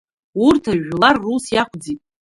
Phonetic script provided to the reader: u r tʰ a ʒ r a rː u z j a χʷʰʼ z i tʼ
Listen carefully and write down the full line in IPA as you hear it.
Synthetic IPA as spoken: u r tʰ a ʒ l a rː u s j a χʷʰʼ d͡z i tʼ